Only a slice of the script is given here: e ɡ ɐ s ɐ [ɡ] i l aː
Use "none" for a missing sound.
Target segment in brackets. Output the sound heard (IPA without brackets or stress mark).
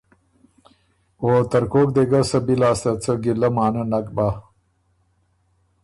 b